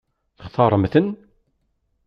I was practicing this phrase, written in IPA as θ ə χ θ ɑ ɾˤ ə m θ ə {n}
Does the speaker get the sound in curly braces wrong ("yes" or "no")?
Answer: no